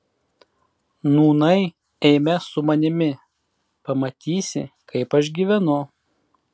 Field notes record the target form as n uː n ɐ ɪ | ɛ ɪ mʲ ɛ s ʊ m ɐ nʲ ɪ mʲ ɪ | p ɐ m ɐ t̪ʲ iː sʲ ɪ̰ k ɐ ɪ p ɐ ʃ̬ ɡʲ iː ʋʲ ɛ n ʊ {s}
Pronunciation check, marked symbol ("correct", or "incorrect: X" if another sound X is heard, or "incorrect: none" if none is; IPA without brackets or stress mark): incorrect: none